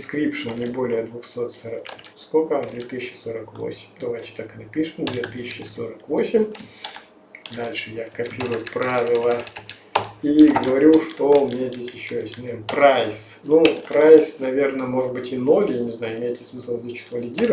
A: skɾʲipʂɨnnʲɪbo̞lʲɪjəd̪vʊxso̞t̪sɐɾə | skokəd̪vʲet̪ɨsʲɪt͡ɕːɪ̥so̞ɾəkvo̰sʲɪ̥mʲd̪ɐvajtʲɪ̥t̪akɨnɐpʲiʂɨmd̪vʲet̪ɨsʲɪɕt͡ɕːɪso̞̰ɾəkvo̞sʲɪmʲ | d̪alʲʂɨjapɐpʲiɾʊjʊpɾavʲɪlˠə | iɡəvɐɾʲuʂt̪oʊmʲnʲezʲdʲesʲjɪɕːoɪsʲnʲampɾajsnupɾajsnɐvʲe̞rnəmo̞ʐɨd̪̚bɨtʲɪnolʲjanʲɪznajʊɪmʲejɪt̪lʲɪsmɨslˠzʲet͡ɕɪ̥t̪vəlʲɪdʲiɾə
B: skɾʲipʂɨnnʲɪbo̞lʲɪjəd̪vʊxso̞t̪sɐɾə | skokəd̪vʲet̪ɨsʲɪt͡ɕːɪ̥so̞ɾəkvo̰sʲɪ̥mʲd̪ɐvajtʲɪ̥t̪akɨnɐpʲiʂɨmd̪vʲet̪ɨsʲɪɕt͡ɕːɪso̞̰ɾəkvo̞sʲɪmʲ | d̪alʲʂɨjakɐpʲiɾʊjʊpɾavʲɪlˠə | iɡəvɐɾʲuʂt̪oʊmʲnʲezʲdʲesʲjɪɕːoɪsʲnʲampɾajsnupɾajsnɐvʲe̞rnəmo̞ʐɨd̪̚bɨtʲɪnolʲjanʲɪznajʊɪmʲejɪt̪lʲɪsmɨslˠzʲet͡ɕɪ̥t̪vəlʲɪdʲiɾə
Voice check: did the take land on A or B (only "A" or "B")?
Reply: B